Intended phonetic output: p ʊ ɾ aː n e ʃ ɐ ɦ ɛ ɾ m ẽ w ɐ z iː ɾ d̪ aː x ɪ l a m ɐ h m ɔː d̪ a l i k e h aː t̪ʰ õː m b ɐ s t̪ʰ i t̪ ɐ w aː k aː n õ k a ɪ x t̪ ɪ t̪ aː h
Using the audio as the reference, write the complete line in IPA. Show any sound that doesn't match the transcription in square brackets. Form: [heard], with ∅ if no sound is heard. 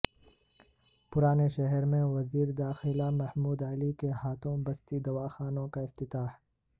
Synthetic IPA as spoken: p ʊ ɾ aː n e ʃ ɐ ɦ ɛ ɾ m ẽ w ɐ z iː ɾ d̪ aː x ɪ l a m ɐ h m [uː] d̪ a l i k e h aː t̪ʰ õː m b ɐ s [t̪] i [d̪] ɐ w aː [x] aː n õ k a ɪ [f] t̪ ɪ t̪ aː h